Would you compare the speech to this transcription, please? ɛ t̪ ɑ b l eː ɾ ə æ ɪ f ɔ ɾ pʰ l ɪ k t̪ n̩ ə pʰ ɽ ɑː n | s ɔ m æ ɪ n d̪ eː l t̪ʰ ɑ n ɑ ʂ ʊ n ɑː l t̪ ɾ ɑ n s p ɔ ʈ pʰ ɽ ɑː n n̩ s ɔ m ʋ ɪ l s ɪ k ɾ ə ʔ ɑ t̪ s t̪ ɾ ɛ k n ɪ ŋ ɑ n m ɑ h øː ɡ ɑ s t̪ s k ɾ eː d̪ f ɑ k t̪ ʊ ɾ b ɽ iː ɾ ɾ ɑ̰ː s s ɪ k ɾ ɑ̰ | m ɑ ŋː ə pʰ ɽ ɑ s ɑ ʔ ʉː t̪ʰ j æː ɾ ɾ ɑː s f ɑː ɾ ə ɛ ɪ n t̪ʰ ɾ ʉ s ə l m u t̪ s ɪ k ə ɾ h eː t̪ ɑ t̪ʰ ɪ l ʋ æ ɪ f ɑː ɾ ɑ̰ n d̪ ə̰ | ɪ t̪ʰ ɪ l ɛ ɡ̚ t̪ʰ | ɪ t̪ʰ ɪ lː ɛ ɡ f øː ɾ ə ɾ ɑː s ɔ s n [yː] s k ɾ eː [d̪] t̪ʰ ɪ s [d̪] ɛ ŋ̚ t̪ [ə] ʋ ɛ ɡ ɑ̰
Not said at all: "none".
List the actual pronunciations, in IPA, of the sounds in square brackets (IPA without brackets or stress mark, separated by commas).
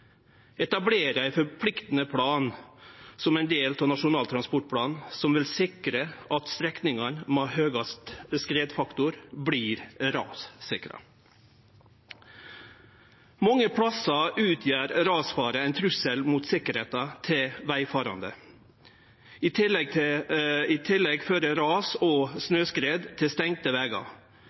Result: øː, d̪, t̪, ə